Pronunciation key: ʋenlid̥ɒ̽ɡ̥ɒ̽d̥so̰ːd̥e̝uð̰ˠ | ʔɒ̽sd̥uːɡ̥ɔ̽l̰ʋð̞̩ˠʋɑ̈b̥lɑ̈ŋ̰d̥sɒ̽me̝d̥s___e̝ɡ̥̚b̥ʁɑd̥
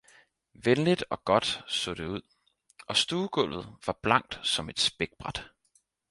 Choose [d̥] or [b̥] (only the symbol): b̥